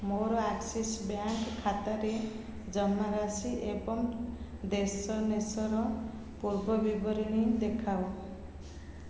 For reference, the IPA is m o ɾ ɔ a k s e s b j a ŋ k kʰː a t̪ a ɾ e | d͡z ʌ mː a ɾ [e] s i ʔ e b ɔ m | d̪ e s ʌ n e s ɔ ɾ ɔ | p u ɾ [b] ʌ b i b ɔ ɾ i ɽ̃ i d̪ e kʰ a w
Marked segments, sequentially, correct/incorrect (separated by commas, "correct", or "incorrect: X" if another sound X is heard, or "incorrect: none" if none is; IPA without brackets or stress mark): incorrect: a, correct